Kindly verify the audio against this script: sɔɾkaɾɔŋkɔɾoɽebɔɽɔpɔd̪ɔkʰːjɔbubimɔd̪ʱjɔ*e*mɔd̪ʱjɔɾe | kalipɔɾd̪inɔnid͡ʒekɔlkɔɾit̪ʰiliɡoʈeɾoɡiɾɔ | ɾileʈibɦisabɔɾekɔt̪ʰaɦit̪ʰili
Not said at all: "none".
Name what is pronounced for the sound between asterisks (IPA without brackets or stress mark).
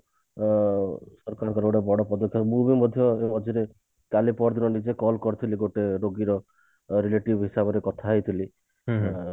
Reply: e